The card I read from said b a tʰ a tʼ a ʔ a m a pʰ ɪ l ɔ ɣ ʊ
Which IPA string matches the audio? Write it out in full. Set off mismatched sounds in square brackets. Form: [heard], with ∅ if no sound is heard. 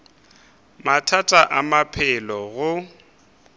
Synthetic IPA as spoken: [m] a tʰ a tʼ a ʔ a m a pʰ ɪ l ɔ ɣ ʊ